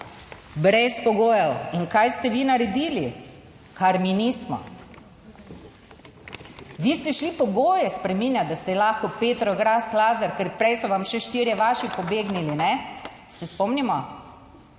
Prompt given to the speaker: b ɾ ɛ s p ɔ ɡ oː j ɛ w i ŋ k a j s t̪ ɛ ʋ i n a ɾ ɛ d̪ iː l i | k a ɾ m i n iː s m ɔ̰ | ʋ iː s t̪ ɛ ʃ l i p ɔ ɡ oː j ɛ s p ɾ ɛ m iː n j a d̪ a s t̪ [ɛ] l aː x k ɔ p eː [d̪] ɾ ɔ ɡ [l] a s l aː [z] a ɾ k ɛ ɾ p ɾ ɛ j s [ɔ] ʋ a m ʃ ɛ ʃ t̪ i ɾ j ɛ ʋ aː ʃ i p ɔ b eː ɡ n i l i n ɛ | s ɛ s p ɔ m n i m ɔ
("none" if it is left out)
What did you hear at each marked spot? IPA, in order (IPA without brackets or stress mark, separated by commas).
ɛ, t̪, ɾ, z, ɔ